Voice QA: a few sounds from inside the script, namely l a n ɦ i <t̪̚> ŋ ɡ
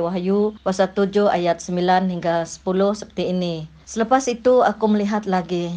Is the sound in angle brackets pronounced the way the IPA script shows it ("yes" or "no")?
no